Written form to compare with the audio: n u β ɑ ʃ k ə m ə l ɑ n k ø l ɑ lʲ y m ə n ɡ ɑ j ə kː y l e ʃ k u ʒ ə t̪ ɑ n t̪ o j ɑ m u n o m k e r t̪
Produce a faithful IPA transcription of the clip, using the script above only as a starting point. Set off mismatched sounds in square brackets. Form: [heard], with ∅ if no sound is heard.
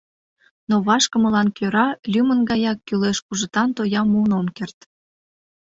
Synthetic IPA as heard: n [o] β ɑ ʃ k ə m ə l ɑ n k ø [ɾ] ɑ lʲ y m ə n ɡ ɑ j [ɑ] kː y l e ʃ k u ʒ ə t̪ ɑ n t̪ o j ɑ m u n o m k e r t̪